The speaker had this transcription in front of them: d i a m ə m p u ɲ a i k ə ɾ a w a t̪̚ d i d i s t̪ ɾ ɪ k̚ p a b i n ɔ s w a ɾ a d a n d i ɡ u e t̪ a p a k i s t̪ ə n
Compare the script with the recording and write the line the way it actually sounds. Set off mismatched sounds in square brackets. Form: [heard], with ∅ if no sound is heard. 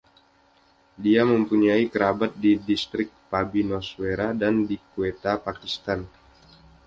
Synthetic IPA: d i a m ə m p u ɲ a i k ə ɾ a [b] a t̪̚ d i d i s t̪ ɾ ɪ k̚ p a b i n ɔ s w [e] ɾ a d a n d i [k] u e t̪ a p a k i s t̪ [a] n